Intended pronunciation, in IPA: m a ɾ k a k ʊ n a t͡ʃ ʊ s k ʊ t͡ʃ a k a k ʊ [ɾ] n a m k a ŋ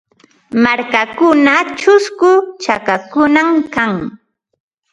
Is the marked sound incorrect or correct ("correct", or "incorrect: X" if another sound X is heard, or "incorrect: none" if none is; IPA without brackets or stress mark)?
incorrect: none